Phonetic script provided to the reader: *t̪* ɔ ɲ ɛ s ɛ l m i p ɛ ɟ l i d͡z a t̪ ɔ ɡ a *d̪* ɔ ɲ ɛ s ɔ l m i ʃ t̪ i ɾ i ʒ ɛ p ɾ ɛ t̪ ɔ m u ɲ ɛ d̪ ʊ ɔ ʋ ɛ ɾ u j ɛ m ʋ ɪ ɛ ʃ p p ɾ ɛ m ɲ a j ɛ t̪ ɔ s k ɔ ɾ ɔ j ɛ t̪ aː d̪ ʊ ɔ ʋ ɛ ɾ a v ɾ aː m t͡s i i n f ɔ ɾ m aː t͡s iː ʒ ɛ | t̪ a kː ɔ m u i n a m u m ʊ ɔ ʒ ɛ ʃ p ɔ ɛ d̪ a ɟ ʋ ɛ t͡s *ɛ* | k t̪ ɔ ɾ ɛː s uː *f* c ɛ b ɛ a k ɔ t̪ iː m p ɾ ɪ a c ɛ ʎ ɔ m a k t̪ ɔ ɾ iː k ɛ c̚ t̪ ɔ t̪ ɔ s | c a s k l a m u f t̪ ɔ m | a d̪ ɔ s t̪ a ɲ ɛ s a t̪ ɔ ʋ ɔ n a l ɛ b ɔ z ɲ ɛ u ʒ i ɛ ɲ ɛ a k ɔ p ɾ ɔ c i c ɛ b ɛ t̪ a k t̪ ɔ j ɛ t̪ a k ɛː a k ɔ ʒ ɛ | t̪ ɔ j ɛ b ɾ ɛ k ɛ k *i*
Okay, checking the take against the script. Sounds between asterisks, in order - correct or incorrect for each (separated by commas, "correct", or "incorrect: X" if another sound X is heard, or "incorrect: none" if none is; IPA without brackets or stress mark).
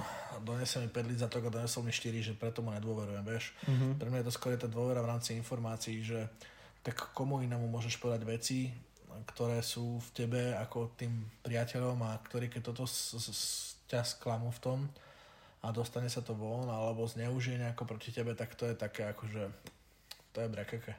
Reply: incorrect: d̪, correct, incorrect: i, correct, incorrect: ɛ